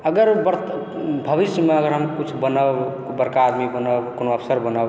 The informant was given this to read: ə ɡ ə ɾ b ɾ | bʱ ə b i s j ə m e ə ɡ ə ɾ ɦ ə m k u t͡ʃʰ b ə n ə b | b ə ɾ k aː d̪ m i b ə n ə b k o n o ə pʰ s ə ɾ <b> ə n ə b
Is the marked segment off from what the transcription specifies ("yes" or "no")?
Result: no